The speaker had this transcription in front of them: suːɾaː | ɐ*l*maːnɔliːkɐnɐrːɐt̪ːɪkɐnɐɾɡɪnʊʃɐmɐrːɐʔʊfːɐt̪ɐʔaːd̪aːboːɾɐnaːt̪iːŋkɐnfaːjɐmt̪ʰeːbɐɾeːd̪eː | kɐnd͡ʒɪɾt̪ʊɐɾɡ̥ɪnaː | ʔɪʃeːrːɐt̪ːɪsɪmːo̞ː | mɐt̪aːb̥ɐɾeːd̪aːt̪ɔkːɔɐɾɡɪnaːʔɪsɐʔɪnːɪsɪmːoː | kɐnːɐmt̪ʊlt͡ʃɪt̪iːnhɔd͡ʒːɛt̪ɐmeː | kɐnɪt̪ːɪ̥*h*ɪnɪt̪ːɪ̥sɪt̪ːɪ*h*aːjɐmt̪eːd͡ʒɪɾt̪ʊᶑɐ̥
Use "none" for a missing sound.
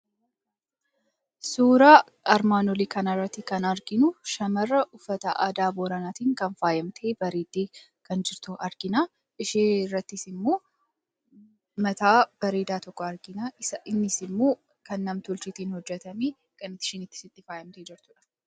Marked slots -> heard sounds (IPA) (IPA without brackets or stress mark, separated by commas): ɾ, ʃ, f